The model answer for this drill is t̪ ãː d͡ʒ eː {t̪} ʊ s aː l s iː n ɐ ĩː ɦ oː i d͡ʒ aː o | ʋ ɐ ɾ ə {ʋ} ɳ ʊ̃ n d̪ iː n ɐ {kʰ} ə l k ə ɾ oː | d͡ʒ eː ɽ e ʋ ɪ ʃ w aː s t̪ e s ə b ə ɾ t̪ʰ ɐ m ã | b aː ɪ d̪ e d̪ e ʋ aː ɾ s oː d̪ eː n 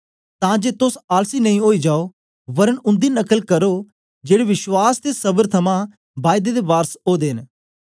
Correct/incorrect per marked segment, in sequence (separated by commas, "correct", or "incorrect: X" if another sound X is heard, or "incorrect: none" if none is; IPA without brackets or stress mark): correct, incorrect: none, incorrect: k